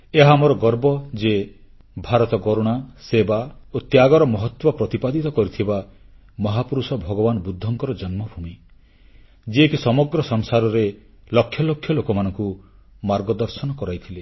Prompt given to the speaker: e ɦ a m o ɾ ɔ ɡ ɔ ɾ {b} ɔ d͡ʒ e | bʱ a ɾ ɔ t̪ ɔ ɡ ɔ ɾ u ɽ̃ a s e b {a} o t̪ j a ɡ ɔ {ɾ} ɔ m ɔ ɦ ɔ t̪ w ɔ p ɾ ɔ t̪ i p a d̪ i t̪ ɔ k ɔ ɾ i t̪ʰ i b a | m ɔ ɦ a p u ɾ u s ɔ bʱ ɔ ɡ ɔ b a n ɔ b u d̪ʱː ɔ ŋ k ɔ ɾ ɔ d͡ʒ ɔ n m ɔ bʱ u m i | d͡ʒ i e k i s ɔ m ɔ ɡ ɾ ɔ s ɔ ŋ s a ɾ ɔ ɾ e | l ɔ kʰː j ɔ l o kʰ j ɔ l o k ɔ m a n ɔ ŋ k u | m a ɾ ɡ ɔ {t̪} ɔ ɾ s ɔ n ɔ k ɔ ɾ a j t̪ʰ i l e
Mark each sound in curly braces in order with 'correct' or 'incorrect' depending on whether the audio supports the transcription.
correct, correct, correct, incorrect

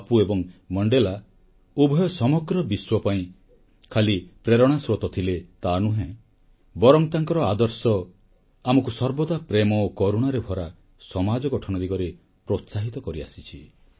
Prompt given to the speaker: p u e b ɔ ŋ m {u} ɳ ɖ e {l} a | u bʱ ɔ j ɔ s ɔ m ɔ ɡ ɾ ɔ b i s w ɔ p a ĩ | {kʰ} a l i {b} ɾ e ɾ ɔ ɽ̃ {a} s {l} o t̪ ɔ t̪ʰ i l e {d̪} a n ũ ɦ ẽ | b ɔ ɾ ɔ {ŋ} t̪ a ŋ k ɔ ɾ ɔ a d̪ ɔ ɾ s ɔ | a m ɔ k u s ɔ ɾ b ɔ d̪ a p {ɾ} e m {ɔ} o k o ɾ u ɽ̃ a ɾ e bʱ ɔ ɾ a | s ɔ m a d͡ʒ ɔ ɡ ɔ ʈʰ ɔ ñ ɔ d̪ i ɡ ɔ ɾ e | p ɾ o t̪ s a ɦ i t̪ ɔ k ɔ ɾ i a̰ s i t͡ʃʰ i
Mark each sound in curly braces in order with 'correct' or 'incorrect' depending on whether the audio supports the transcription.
incorrect, correct, correct, incorrect, correct, incorrect, incorrect, correct, correct, correct

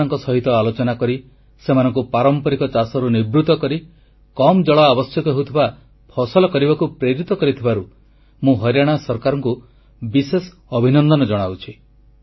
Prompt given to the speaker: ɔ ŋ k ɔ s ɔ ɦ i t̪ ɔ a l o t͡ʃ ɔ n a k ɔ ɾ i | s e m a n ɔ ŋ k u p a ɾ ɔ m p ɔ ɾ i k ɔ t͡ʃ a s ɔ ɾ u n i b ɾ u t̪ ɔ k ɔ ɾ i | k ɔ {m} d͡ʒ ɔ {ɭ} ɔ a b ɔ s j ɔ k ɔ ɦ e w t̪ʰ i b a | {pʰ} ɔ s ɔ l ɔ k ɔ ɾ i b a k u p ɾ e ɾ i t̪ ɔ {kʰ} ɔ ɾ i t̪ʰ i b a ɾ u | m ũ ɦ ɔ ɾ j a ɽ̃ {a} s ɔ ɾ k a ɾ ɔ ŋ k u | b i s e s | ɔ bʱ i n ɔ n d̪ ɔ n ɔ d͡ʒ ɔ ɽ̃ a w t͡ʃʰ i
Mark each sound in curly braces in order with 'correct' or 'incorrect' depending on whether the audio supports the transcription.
correct, correct, correct, incorrect, correct

